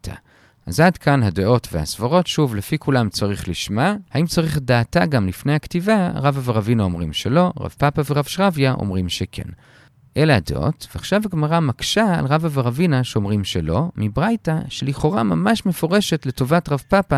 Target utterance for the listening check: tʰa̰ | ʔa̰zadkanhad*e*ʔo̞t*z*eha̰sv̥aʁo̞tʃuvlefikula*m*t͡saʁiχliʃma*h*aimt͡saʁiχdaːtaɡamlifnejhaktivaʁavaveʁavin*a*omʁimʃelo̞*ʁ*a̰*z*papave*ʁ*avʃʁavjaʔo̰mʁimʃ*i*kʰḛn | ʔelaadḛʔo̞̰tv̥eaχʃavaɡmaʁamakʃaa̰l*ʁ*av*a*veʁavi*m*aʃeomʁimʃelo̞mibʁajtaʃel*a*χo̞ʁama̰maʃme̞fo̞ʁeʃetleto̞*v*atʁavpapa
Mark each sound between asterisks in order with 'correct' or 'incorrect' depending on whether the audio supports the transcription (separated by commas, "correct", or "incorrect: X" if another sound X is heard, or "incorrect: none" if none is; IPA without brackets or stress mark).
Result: correct, incorrect: v, correct, correct, correct, correct, incorrect: v, correct, incorrect: e, correct, correct, incorrect: n, incorrect: i, correct